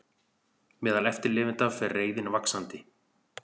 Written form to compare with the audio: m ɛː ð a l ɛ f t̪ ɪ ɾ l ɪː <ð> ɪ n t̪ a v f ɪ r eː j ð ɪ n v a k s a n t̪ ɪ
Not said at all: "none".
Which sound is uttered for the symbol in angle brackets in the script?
v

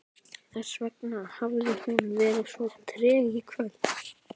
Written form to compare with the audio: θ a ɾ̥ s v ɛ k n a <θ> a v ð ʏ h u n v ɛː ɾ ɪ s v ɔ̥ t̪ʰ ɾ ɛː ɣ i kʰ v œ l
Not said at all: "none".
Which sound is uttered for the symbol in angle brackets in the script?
h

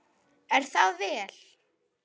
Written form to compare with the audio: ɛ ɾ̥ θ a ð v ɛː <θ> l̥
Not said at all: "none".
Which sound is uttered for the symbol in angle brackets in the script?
none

